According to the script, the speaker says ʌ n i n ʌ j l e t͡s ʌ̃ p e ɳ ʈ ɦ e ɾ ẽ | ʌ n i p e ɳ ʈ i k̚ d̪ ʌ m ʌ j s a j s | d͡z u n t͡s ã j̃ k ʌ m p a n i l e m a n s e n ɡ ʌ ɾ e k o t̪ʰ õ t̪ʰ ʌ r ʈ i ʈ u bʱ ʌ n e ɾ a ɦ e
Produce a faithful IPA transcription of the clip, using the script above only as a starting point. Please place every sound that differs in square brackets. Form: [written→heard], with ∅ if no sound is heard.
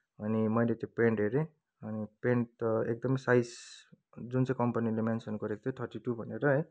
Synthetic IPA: ʌ n i [n→m] ʌ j l e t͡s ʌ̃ p e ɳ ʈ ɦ e ɾ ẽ | ʌ n i p e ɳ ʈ [i→e] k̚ d̪ ʌ m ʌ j s a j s | d͡z u n t͡s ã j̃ k ʌ m p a n i l e m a n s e n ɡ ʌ ɾ e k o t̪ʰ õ t̪ʰ ʌ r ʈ i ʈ u bʱ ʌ n e ɾ [a→ʌ] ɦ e